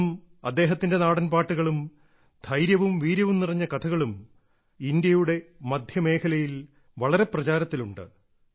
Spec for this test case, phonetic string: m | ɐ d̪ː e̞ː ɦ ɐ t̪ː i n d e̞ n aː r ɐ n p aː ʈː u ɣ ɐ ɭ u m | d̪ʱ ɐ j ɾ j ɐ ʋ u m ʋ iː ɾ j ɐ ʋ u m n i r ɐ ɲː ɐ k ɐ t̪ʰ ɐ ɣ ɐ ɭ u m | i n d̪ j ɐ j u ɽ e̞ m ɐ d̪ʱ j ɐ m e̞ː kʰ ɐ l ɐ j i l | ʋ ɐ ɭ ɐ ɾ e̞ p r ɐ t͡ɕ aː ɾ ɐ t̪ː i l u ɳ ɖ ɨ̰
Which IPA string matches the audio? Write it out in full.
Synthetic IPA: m | ɐ d̪ː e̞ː ɦ ɐ t̪ː i n d e̞ n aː ɽ ɐ n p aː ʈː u ɣ ɐ ɭ u m | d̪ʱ ɐ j ɾ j ɐ ʋ u m ʋ iː ɾ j ɐ ʋ u m n i r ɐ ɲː ɐ k ɐ t̪ʰ ɐ ɣ ɐ ɭ u m | i n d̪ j ɐ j u ɽ e̞ m ɐ d̪ʱ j ɐ m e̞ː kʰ ɐ l ɐ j i l | ʋ ɐ ɭ ɐ ɾ e̞ p r ɐ t͡ɕ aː ɾ ɐ t̪ː i l u ɳ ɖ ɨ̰